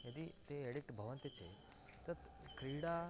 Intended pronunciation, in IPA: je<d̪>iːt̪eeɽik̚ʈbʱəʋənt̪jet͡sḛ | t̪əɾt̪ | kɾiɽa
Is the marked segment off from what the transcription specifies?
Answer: no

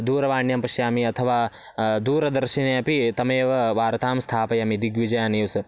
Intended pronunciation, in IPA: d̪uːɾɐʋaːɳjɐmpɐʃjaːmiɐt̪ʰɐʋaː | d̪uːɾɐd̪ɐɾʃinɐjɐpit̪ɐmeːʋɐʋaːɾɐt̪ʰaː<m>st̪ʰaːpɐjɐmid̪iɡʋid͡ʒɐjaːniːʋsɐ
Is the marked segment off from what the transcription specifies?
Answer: no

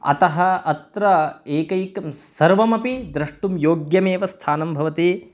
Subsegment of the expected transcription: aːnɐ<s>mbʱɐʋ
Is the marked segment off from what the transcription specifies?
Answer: yes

